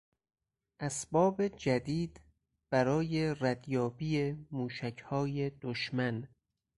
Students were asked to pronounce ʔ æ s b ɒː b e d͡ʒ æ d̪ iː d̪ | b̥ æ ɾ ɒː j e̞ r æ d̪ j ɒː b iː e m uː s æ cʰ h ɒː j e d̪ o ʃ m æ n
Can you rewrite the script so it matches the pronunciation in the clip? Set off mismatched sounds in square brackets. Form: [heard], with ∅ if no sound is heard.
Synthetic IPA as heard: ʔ æ s b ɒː b e d͡ʒ æ d̪ iː d̪ | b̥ æ ɾ ɒː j e̞ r æ d̪ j ɒː b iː e m uː [ʃ] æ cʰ h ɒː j e d̪ o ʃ m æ n